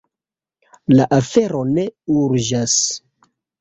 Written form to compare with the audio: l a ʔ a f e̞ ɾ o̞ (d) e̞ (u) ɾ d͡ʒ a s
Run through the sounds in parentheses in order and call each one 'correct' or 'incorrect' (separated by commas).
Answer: incorrect, correct